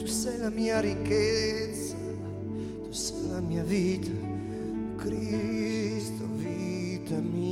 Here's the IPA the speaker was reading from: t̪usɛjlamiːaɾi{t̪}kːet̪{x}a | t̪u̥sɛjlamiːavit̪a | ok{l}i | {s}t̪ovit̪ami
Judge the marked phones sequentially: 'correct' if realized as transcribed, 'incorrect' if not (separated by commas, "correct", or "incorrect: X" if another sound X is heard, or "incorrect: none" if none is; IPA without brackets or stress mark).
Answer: incorrect: none, incorrect: s, incorrect: ɾ, correct